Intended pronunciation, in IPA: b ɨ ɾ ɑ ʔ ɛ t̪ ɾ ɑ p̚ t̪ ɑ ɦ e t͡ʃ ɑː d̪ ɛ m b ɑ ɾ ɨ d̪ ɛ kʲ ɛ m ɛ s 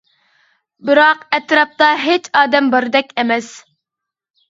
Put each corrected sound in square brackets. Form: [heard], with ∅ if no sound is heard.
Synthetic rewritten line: b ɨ ɾ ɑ [q] ɛ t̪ ɾ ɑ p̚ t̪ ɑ ɦ e t͡ʃ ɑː d̪ ɛ m b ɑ ɾ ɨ d̪ ɛ kʲ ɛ m ɛ s